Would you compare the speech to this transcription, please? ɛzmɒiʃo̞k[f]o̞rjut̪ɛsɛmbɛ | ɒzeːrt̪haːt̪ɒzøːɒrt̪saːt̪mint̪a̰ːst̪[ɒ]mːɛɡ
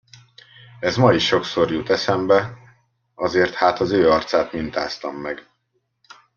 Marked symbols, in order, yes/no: no, yes

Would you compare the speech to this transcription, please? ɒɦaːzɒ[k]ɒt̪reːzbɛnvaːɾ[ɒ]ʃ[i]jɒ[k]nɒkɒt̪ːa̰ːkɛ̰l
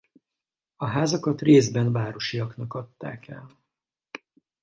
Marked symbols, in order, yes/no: yes, no, yes, yes

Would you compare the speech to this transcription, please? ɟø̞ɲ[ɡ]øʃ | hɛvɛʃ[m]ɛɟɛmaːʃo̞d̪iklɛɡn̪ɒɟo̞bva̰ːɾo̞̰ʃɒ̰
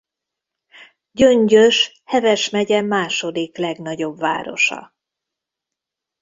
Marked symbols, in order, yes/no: no, yes

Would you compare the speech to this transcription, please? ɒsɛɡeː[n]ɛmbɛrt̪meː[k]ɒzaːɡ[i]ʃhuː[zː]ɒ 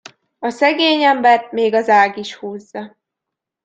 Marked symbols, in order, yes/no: no, no, yes, yes

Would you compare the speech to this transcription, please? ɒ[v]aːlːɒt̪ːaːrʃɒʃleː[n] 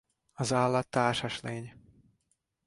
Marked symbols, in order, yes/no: no, no

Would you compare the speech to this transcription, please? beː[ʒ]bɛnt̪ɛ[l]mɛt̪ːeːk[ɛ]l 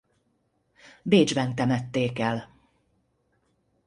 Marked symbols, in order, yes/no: no, no, yes

